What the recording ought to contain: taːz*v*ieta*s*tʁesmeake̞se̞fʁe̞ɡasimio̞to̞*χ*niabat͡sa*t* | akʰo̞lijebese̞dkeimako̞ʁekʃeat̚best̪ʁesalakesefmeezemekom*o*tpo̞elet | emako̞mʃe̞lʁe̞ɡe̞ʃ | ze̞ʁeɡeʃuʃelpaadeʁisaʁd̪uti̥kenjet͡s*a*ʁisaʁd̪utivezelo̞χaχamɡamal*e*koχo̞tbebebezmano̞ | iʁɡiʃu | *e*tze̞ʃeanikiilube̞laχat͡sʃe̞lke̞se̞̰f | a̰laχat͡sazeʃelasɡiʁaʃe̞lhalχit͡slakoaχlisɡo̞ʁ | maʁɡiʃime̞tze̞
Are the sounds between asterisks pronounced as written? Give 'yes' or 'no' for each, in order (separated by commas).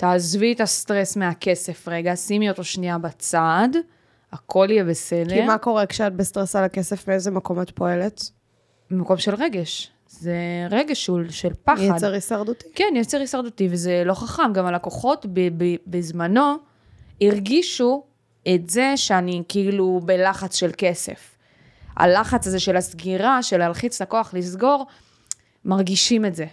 yes, yes, no, no, yes, no, no, yes